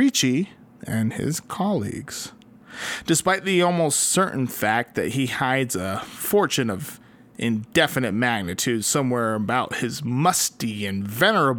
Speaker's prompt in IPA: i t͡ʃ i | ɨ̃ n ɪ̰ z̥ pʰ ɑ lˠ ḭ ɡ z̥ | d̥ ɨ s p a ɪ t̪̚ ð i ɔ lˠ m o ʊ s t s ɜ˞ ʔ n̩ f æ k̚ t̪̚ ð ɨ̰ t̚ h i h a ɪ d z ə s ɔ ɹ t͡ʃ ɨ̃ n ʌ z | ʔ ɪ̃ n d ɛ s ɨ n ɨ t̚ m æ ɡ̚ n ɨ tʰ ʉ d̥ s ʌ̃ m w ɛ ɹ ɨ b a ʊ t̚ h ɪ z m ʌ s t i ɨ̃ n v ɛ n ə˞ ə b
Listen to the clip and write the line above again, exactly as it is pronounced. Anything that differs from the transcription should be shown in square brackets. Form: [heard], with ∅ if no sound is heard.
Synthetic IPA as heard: i t͡ʃ i | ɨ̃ n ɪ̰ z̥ [kʰ] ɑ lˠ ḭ ɡ z̥ | d̥ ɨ s p a ɪ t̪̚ ð i ɔ lˠ m o ʊ s t s ɜ˞ ʔ n̩ f æ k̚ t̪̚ ð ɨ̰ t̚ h i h a ɪ d z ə [f] ɔ ɹ t͡ʃ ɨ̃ n ʌ [v] | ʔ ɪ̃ n d ɛ [f] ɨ n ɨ t̚ m æ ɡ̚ n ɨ tʰ ʉ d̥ s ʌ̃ m w ɛ ɹ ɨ b a ʊ t̚ h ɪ z m ʌ s t i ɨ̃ n v ɛ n ə˞ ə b